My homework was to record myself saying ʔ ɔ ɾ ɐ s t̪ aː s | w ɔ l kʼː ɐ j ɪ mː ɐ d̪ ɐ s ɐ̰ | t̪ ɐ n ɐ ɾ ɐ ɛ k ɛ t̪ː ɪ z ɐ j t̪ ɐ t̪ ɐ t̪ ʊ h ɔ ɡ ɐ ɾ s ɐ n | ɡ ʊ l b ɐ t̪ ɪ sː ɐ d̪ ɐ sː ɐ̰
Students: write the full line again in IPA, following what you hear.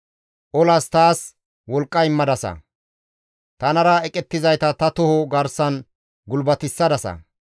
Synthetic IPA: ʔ ɔ l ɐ s t̪ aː s | w ɔ l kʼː ɐ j ɪ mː ɐ d̪ ɐ s ɐ̰ | t̪ ɐ n ɐ ɾ ɐ ɛ kʼ ɛ t̪ː ɪ z ɐ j t̪ ɐ t̪ ɐ t̪ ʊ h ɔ ɡ ɐ ɾ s ɐ n | ɡ ʊ l b ɐ t̪ ɪ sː ɐ d̪ ɐ s ɐ̰

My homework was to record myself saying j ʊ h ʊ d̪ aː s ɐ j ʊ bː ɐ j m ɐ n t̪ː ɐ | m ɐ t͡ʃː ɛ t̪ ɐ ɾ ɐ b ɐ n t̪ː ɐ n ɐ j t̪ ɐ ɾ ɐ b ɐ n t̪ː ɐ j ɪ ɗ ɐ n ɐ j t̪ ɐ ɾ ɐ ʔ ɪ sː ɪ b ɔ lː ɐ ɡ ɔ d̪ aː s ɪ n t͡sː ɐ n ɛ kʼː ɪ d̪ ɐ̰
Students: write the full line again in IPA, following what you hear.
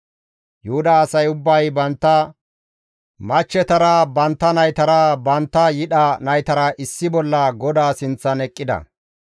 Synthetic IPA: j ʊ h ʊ d̪ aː s ɐ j ʊ bː ɐ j b ɐ n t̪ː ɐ | m ɐ t͡ʃː ɛ t̪ ɐ ɾ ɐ b ɐ n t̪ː ɐ n ɐ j t̪ ɐ ɾ ɐ b ɐ n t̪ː ɐ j ɪ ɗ ɐ n ɐ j t̪ ɐ ɾ ɐ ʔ ɪ sː ɪ b ɔ lː ɐ ɡ ɔ d̪ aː s ɪ n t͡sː ɐ n ɛ kʼː ɪ d̪ ɐ̰

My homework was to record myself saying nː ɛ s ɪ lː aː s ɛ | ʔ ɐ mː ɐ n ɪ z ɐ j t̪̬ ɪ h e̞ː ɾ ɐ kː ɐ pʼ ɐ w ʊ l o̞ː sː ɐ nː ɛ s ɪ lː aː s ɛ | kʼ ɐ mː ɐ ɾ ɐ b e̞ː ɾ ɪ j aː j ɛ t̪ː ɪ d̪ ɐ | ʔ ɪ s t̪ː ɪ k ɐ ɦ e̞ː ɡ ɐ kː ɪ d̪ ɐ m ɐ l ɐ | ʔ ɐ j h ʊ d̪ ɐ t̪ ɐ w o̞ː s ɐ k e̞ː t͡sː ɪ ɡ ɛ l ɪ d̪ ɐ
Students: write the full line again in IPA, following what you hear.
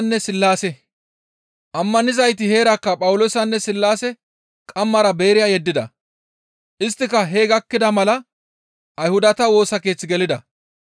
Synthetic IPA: nː ɛ s ɪ lː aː s ɛ | ʔ ɐ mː ɐ n ɪ z ɐ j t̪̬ ɪ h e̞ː ɾ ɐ kː ɐ pʼ ɐ w ʊ l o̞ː s ɐ nː ɛ s ɪ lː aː s ɛ | kʼ ɐ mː ɐ ɾ ɐ b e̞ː ɾ ɪ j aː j ɛ d̪ː ɪ d̪ ɐ | ʔ ɪ s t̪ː ɪ k ɐ ɦ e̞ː ɡ ɐ kː ɪ d̪ ɐ m ɐ l ɐ | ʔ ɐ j h ʊ d̪ ɐ t̪ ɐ w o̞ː s ɐ k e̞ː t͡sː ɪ ɡ ɛ l ɪ d̪ ɐ

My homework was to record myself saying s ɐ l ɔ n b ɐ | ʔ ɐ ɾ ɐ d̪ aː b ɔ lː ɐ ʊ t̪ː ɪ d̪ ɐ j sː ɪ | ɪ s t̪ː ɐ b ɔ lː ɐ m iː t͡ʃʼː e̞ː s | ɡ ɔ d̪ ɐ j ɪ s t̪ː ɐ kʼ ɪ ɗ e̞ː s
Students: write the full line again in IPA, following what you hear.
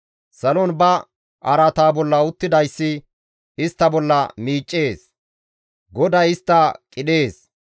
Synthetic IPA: s ɐ l ɔ n b ɐ | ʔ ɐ ɾ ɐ t̪ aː b ɔ lː ɐ ʊ t̪ː ɪ d̪ ɐ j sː ɪ | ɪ s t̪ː ɐ b ɔ lː ɐ m iː t͡ʃʼː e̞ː s | ɡ ɔ d̪ ɐ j ɪ s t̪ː ɐ kʼ ɪ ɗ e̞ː s

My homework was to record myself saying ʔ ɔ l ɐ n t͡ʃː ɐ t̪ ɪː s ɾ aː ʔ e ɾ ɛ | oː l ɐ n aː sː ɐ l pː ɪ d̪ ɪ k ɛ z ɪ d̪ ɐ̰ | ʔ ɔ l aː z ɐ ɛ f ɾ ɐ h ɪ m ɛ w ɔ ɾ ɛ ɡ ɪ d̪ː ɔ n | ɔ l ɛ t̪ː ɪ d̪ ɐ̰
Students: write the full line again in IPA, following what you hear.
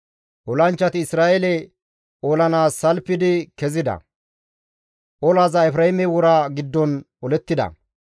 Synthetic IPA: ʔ ɔ l ɐ n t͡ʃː ɐ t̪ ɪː s ɾ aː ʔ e l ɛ | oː l ɐ n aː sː ɐ l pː ɪ d̪ ɪ k ɛ z ɪ d̪ ɐ̰ | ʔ ɔ l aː z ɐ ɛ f ɾ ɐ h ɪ m ɛ w ɔ ɾ a ɡ ɪ d̪ː ɔ n | ɔ l ɛ t̪ː ɪ d̪ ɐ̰

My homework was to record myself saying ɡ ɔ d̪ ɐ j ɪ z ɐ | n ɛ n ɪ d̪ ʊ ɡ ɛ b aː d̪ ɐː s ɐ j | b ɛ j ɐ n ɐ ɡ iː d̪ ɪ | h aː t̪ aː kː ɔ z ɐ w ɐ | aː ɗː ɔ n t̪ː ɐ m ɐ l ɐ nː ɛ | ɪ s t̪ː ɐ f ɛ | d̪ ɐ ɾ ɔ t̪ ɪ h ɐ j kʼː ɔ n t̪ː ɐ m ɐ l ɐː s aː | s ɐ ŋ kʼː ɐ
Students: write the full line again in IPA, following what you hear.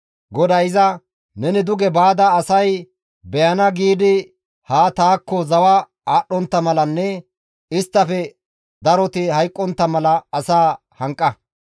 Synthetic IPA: ɡ ɔ d̪ ɐ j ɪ z ɐ | n ɛ n ɪ d̪ ʊ ɡ ɛ b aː d̪ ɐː s ɐ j | b ɛ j ɐ n ɐ ɡ iː d̪ ɪ | h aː t̪ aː kː ɔ z ɐ w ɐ | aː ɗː ɔ n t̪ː ɐ m ɐ l ɐ nː ɛ | ɪ s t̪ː ɐ f ɛ | d̪ ɐ ɾ ɔ t̪ ɪ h ɐ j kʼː ɔ n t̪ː ɐ m ɐ l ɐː s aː | h ɐ ŋ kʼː ɐ

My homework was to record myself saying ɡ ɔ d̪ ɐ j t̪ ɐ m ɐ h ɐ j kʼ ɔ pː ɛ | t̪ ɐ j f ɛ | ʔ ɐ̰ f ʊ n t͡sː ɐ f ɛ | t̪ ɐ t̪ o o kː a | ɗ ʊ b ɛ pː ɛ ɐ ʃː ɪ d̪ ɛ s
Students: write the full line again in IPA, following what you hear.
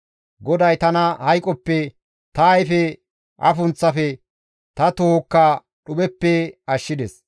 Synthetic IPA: ɡ ɔ d̪ ɐ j t̪ ɐ n ɐ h ɐ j kʼ ɔ pː ɛ | t̪ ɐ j f ɛ | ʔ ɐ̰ f ʊ n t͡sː ɐ f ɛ | t̪ ɐ t̪ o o kː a | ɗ ʊ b ɛ pː ɛ ɐ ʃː ɪ d̪ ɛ s

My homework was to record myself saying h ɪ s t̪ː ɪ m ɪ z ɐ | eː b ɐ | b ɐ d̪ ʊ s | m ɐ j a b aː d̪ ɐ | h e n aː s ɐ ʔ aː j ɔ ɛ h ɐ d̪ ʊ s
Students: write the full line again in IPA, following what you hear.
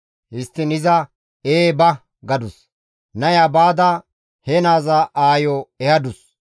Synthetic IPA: h ɪ s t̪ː ɪ n ɪ z ɐ | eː b ɐ | ɡ ɐ d̪ ʊ s | n ɐ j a b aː d̪ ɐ | h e n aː z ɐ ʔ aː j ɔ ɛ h ɐ d̪ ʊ s

